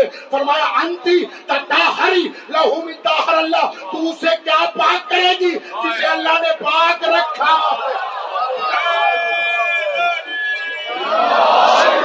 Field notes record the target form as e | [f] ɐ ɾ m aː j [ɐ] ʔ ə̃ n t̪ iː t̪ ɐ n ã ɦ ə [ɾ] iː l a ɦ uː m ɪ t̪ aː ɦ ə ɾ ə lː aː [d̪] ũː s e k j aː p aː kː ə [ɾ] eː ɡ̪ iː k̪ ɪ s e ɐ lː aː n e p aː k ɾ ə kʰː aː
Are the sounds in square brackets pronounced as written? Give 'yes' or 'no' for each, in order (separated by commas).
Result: yes, no, yes, no, yes